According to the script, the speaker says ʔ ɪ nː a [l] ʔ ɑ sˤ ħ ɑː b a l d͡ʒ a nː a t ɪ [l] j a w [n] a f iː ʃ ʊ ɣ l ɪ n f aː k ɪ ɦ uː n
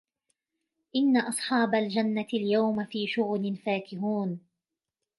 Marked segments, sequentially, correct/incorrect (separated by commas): incorrect, correct, incorrect